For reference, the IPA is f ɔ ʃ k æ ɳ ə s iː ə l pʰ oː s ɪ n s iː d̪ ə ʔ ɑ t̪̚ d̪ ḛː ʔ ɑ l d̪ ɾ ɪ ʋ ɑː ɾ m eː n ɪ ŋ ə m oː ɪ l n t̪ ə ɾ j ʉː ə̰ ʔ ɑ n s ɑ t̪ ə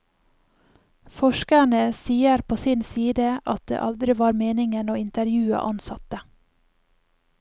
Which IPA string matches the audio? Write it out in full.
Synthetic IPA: f ɔ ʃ k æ ɳ ə s iː ə ɾ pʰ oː s ɪ n s iː d̪ ə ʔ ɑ t̪̚ d̪ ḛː ʔ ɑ l d̪ ɾ ɪ ʋ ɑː ɾ m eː n ɪ ŋ ə n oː ɪ n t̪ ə ɾ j ʉː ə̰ ʔ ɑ n s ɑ t̪ ə